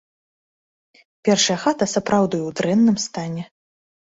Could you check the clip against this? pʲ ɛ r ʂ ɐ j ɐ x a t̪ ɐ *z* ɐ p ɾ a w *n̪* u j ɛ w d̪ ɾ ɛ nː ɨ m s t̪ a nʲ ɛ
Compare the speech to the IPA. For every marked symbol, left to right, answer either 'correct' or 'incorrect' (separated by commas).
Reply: incorrect, incorrect